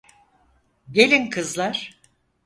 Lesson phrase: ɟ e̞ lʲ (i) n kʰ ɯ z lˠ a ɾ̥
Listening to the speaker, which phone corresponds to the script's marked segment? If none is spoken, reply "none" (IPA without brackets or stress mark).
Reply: i